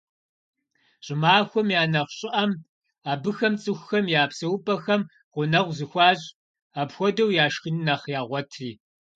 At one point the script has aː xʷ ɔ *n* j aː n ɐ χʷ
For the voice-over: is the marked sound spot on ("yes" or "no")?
no